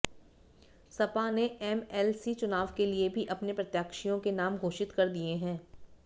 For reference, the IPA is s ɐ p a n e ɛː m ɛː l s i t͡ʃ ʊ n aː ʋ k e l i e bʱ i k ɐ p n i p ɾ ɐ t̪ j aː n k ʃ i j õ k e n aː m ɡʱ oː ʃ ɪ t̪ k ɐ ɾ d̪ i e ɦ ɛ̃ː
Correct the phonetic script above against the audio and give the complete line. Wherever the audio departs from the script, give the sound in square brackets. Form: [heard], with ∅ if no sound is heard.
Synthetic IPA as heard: s ɐ p a n e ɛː m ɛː l s i t͡ʃ ʊ n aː ʋ k e l i e bʱ i [ʔ] ɐ p n [e] p ɾ ɐ t̪ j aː [∅] k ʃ i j õ k e n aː m ɡʱ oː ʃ ɪ t̪ k ɐ ɾ d̪ i e ɦ ɛ̃ː